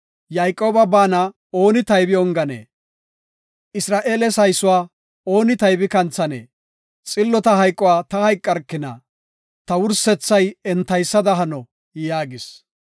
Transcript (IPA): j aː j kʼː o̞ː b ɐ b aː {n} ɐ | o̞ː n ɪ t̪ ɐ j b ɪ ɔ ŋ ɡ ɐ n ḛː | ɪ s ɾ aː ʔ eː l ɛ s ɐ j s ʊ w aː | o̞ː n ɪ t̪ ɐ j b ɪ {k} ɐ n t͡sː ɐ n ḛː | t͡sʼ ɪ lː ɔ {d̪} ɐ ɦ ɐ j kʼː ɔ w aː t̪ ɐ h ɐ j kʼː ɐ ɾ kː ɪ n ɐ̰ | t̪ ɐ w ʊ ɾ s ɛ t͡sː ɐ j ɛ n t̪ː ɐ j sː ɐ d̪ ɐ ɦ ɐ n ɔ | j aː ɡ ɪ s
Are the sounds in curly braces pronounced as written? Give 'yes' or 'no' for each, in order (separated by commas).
yes, yes, no